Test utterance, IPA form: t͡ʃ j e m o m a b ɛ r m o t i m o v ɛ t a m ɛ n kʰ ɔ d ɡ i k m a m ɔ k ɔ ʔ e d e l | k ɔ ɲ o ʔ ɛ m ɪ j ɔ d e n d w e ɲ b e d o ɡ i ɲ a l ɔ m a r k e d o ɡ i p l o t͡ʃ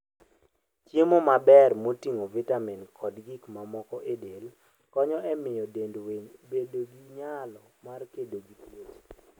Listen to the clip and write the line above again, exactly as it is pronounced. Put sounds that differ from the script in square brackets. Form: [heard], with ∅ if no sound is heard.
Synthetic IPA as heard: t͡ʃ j e m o m a b ɛ r m o t i [ŋ] o v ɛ t a m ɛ n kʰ ɔ d ɡ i k m a m ɔ k ɔ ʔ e d e l | k ɔ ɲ [ɔ] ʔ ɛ m ɪ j ɔ d e n d w e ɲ b e d o ɡ i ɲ a l ɔ m a r k e d o ɡ i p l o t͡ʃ